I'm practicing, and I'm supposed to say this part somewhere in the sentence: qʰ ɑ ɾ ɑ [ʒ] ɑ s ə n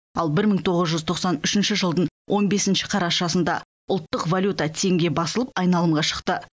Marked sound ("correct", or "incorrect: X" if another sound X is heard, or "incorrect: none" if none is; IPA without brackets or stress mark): incorrect: ʃ